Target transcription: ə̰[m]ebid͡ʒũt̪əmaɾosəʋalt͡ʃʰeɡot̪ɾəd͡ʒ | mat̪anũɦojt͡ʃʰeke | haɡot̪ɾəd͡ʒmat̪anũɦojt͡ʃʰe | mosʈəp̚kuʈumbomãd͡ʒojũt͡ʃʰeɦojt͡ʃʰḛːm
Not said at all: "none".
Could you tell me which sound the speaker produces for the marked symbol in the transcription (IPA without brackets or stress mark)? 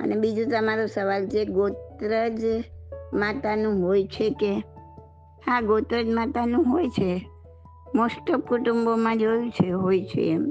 n